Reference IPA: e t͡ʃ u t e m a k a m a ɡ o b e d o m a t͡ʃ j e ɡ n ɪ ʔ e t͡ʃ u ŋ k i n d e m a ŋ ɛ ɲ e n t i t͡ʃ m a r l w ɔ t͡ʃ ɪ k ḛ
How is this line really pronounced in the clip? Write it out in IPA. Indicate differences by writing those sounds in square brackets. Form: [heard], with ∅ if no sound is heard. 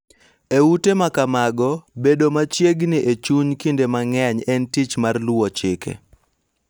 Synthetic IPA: e [∅] u t e m a k a m a ɡ [ɔ] b e d o m a t͡ʃ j e ɡ n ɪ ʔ e t͡ʃ u [ɲ] k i n d e m a ŋ ɛ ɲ [ɛ] n t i t͡ʃ m a r l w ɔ t͡ʃ ɪ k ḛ